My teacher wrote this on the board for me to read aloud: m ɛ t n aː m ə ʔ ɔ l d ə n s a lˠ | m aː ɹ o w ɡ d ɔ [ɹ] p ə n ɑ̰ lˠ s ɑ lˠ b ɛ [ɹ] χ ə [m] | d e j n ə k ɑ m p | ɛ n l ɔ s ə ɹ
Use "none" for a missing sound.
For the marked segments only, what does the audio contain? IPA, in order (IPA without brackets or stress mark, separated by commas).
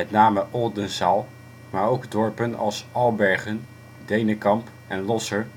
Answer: ɹ, ɹ, n